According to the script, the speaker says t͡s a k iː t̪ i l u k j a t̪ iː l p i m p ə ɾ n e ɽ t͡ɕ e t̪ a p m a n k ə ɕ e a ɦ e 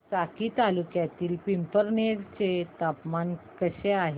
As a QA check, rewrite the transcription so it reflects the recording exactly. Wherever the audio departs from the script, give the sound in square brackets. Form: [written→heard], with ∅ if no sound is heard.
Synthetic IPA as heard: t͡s a k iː t̪ [i→a] l u k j a t̪ iː l p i m p ə ɾ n e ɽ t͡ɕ e t̪ a p m a n k ə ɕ e a ɦ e